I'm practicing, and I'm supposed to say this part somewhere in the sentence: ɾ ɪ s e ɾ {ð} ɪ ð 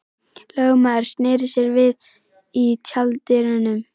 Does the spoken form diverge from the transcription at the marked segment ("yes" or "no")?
yes